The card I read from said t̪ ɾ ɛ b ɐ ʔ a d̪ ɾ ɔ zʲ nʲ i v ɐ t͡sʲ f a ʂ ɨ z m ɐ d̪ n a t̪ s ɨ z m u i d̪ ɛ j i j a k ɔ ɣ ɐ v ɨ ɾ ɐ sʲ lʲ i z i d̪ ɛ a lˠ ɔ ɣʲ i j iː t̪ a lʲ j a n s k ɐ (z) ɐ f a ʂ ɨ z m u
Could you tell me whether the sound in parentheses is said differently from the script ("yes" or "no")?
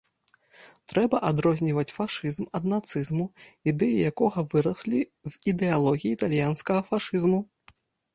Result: yes